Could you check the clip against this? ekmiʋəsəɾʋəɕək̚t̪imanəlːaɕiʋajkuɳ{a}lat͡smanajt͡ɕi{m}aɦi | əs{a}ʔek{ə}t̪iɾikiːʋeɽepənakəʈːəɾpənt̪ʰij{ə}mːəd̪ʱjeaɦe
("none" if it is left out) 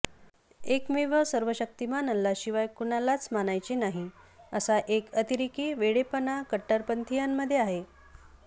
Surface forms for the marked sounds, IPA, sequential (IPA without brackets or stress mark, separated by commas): a, n, a, ə, a